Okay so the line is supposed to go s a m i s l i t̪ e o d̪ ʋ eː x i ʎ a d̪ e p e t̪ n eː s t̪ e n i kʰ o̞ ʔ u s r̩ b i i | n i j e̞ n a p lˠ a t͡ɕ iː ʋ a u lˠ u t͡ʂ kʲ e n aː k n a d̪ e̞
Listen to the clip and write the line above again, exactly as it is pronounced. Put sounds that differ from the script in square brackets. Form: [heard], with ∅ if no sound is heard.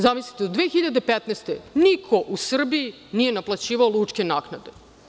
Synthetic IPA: [z] a m i s l i t̪ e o d̪ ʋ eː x i ʎ a d̪ e p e t̪ n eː s t̪ e n i kʰ o̞ ʔ u s r̩ b i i | n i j e̞ n a p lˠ a t͡ɕ iː ʋ a [o] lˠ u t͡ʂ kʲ e n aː k n a d̪ e̞